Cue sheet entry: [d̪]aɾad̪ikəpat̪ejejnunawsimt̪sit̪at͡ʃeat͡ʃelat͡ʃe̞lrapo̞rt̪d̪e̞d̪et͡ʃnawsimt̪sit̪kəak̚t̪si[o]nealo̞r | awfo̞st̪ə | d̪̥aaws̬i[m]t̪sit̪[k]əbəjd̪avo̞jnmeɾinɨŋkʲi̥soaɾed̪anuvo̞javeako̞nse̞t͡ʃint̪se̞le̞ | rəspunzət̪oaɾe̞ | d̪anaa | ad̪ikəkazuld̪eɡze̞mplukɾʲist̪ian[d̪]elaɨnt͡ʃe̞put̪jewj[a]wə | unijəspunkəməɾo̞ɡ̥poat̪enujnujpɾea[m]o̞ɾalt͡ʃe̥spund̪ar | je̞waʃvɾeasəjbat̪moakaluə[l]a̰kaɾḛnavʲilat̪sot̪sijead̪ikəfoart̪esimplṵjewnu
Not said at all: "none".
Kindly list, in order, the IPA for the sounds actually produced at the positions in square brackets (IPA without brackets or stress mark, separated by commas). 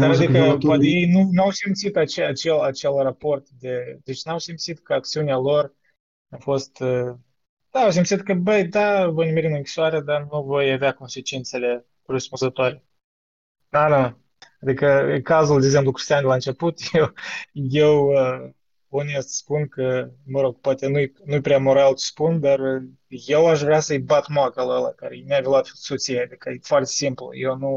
d̪, u, m, k, d̪, e, m, l